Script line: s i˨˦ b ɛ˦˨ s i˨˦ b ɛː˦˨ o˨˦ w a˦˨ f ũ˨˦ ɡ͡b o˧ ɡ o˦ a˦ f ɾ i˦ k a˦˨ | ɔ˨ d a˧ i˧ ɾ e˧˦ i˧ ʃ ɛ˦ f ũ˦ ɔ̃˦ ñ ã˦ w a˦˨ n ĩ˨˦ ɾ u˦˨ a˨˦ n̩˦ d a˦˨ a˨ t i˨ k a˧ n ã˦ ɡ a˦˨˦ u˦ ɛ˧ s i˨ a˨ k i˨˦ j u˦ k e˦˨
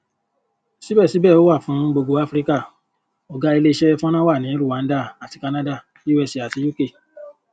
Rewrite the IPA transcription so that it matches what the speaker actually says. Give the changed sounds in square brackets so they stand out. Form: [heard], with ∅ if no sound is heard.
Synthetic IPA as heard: s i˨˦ b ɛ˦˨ s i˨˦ b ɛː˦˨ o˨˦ w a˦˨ f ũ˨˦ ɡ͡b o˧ ɡ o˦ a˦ f ɾ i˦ k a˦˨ | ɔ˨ [ɡ] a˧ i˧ [l] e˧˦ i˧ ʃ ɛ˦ f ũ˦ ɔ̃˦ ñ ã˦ w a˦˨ n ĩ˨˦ ɾ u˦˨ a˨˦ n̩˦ d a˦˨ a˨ t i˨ k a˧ n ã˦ [d] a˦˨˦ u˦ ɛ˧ s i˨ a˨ [t] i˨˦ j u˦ k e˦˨